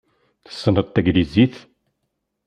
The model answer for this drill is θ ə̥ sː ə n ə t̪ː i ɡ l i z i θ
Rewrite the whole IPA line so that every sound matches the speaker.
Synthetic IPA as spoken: θ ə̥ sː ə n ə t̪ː æ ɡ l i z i θ